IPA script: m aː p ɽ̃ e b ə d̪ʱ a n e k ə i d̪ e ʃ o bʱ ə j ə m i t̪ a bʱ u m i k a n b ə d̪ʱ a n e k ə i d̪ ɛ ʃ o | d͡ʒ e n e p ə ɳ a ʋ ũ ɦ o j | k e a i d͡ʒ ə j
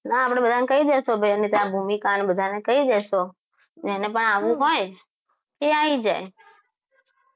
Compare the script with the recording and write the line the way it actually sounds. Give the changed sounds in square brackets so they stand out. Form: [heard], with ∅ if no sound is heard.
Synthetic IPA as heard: [n] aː p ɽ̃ e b ə d̪ʱ a n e k ə i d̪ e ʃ o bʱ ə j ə [n] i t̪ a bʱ u m i k a n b ə d̪ʱ a n e k ə i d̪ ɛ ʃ o | d͡ʒ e n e p ə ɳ a ʋ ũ ɦ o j | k e a i d͡ʒ [a] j